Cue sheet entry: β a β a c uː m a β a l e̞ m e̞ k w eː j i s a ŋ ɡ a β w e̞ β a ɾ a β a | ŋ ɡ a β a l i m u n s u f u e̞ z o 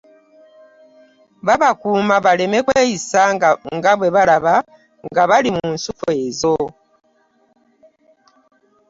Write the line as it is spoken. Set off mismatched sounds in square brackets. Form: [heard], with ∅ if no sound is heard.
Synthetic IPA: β a β a [k] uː m a β a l e̞ m e̞ k w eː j i s a ŋ ɡ a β w e̞ β a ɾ a β a | ŋ ɡ a β a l i m u n s u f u e̞ z o